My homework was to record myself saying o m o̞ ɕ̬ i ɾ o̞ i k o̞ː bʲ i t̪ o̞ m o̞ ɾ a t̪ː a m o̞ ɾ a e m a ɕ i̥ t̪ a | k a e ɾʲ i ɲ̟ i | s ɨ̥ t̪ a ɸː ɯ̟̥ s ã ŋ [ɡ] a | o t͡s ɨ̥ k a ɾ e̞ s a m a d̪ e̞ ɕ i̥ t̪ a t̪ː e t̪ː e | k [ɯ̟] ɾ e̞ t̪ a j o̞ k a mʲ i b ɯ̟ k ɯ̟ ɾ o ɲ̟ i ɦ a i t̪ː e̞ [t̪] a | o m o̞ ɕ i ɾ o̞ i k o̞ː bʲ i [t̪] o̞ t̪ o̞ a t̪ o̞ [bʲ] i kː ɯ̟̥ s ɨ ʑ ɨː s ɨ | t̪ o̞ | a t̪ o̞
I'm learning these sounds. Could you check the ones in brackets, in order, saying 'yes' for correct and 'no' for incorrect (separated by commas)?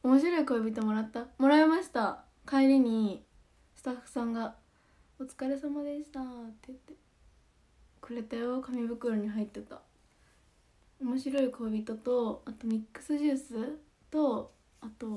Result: yes, yes, yes, yes, no